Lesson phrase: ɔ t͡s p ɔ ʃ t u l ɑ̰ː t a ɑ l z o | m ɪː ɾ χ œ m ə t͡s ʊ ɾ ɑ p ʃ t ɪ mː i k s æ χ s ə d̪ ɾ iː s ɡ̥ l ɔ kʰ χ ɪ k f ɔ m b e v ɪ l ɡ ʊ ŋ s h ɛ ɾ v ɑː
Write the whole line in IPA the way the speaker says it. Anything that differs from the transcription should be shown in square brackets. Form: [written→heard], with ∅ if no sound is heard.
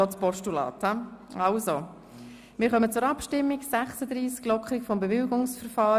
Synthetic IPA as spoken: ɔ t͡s p ɔ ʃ t u l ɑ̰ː t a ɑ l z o | m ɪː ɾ χ œ m ə t͡s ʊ ɾ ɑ p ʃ t ɪ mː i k s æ χ s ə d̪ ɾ iː s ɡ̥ l ɔ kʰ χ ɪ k f ɔ m b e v ɪ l ɡ ʊ ŋ s [h→f] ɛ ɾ [v→f] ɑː

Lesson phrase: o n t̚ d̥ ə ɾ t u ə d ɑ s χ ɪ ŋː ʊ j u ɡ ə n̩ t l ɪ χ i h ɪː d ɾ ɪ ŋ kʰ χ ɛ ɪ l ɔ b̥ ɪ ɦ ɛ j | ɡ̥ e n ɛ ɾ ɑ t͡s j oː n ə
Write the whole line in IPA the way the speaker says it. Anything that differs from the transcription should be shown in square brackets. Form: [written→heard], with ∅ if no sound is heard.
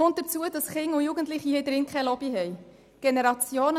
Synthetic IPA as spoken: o n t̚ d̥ ə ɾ [t→t͡s] u ə d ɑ s χ ɪ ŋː ʊ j u ɡ ə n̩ t l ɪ χ i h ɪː d ɾ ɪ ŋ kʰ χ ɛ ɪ l ɔ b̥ [ɪ→i] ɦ ɛ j | ɡ̥ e n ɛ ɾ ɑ t͡s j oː n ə

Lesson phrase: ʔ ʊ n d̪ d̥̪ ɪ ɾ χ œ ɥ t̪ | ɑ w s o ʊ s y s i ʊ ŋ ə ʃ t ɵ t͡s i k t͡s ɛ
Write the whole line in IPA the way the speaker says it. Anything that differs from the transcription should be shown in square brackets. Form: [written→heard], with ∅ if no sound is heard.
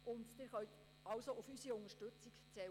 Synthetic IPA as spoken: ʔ ʊ n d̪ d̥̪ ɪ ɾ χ œ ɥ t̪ | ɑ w s o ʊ [s→f] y s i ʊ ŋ ə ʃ t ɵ t͡s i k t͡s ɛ

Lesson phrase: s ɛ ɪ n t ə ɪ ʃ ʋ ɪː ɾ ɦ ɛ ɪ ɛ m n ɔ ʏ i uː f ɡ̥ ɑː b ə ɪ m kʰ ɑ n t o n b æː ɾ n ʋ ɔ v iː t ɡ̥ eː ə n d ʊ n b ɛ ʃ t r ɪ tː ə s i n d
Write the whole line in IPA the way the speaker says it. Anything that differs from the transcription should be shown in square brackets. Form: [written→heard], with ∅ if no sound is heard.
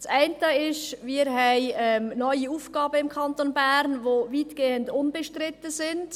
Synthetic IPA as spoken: s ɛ ɪ n t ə ɪ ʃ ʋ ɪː ɾ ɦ ɛ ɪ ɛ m n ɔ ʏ i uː f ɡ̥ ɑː b ə ɪ m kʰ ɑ n t o n b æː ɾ n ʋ [ɔ→o] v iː t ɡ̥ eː ə n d ʊ n b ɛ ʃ t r ɪ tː ə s [i→ɪ] n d

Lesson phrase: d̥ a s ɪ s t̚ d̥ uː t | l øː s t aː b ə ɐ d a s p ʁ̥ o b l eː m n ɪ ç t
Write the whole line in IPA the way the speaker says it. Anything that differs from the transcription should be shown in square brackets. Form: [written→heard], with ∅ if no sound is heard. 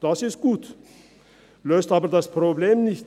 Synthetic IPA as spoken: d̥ a s ɪ s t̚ [d̥→ɡ̥] uː t | l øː s t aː b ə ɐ d a s p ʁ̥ o b l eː m n ɪ ç t

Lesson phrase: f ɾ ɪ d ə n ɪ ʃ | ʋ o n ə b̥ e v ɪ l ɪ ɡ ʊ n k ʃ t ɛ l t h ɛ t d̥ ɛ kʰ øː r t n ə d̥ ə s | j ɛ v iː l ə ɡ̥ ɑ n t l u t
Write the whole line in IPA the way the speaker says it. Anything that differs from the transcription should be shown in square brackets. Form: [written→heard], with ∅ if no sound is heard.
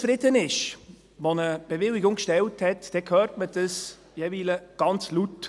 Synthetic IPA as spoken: f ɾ ɪ d ə n ɪ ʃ | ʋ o n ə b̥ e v ɪ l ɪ ɡ ʊ [n→ŋ] k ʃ t ɛ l t h ɛ t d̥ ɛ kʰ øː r t [n→m] ə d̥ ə s | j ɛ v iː l ə ɡ̥ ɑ n [t→t͡s] l u t

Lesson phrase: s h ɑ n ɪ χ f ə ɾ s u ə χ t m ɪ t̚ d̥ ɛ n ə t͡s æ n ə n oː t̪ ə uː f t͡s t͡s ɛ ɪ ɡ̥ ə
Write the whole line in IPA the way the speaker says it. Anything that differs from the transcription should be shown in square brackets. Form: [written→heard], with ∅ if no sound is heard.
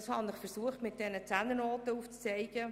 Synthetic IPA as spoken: s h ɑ n ɪ χ f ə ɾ s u ə χ t m ɪ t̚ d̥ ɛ n ə t͡s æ n ə n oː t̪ ə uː f t͡s t͡s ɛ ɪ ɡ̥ ə

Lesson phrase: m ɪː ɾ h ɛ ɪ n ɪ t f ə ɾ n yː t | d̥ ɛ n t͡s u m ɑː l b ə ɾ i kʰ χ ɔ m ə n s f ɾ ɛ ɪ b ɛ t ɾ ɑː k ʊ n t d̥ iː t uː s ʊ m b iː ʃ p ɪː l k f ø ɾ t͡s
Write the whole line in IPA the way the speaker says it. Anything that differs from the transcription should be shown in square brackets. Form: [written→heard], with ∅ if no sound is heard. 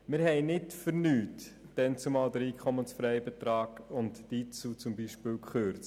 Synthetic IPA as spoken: m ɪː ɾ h ɛ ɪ n ɪ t f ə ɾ n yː t | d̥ ɛ n t͡s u m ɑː l [b→d] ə ɾ [i→iː] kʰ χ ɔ m ə n s f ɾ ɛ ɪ b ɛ t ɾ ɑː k ʊ n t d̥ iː [t→t͡s] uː [s→t͡s] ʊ m b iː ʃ p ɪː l k [f→χ] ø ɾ t͡s

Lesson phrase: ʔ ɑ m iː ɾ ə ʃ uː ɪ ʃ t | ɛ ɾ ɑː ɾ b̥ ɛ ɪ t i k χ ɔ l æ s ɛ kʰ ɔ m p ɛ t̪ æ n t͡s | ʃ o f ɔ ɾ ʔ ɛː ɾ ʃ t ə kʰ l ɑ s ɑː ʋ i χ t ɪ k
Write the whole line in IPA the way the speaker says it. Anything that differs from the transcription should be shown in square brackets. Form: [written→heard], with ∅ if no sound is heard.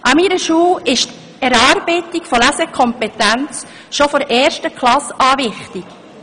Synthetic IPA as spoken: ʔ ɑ m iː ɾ ə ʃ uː ɪ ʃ t | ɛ ɾ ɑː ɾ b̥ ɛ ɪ t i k [χ→f] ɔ l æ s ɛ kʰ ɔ m p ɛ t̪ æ n t͡s | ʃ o f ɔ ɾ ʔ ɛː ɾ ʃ t ə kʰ l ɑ s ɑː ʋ [i→ɪ] χ t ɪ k

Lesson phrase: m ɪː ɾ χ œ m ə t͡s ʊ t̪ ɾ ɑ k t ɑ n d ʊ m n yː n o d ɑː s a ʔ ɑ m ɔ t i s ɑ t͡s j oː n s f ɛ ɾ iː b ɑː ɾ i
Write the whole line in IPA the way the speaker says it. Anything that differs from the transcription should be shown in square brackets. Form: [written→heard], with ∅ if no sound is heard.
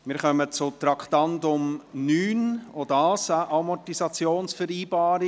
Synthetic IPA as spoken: m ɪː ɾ χ œ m ə t͡s ʊ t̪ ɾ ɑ k t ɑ n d ʊ m n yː n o d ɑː s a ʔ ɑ m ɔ t i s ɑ t͡s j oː n s f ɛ ɾ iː b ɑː ɾ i

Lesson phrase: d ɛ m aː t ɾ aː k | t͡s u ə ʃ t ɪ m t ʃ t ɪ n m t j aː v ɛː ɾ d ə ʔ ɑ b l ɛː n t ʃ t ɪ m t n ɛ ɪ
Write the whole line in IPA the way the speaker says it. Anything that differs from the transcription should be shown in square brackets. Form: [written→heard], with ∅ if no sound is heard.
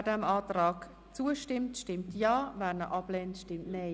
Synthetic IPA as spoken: d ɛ m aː t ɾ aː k | t͡s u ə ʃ t ɪ m t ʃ t ɪ [n→∅] m t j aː v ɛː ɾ [d→n] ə ʔ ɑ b l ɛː n t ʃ t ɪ m t n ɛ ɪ

